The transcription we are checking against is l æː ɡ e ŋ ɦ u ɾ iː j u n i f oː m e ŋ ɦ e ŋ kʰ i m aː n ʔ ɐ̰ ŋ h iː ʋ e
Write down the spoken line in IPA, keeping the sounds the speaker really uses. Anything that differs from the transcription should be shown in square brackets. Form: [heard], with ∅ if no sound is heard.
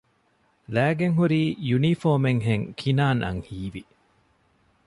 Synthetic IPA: l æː ɡ e ŋ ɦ u ɾ iː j u n i f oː m e ŋ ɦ e ŋ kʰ i [n] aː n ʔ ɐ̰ ŋ h iː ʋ [i]